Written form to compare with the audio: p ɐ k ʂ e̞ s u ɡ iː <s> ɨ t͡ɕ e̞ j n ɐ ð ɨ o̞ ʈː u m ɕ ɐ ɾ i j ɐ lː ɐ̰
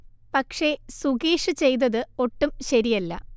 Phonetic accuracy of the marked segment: incorrect: ʂ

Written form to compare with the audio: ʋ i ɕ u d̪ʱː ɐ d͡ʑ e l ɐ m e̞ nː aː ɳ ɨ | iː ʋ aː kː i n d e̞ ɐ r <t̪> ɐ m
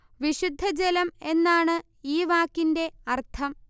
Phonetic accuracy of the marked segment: incorrect: t̪ʰ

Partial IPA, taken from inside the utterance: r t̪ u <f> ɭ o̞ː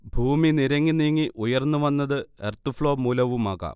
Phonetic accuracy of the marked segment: correct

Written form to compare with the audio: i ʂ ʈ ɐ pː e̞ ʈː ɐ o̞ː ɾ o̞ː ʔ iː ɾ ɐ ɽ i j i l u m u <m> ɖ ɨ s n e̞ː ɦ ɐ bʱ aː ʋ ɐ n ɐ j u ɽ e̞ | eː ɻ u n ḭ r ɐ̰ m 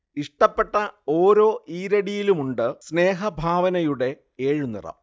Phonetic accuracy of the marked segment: incorrect: ɳ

